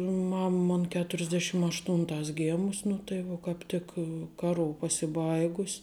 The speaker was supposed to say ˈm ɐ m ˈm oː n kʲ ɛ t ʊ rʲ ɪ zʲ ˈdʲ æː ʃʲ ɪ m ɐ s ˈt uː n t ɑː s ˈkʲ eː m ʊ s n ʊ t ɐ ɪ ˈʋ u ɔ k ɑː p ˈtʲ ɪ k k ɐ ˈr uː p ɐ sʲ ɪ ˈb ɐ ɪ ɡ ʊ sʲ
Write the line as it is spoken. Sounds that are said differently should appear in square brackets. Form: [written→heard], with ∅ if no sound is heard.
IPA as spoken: ˈm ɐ m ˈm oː n kʲ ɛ t ʊ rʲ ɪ zʲ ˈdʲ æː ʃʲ ɪ m ɐ [s→ʃ] ˈt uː n t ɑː s [ˈkʲ→ˈɡʲ] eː m ʊ s n ʊ t ɐ ɪ ˈʋ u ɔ k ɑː p ˈtʲ ɪ k k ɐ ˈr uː p ɐ sʲ ɪ ˈb ɐ ɪ ɡ ʊ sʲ